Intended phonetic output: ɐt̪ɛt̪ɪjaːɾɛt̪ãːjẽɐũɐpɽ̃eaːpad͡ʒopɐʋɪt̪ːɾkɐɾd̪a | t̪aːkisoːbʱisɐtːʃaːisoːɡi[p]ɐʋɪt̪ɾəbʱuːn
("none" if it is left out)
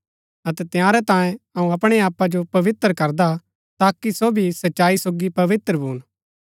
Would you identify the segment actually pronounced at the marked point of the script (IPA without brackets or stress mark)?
p